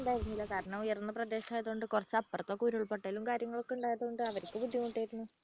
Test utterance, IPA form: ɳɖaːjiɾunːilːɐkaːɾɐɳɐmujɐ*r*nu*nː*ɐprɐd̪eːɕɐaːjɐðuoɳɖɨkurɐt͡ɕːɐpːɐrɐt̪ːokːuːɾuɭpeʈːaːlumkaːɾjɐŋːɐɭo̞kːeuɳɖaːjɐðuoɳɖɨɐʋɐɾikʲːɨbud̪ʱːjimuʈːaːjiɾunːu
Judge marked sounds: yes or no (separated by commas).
yes, yes